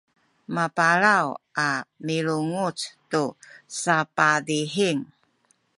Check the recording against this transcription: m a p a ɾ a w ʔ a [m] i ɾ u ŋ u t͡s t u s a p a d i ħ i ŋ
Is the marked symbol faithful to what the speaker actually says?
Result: yes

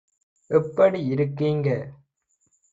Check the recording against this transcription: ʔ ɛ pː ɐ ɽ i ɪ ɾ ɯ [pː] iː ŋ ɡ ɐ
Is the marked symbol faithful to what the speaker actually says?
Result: no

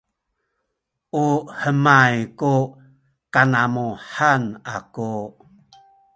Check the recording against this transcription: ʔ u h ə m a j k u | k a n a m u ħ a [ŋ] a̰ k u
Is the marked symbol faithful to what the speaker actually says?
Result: no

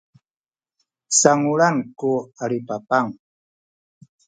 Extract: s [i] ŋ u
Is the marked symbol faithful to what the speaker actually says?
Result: no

